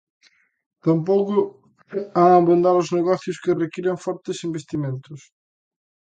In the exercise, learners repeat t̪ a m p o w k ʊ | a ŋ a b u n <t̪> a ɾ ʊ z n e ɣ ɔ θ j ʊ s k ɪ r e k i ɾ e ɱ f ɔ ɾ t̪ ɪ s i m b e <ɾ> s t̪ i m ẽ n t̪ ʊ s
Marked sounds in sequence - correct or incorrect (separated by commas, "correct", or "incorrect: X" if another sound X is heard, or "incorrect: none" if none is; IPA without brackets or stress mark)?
incorrect: d̪, incorrect: none